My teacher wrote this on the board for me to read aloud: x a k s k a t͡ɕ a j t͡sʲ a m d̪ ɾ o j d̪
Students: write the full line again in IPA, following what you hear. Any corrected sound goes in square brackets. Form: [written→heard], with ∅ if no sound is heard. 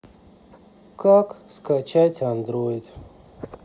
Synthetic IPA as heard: [x→k] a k s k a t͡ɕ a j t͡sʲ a [m→n] d̪ ɾ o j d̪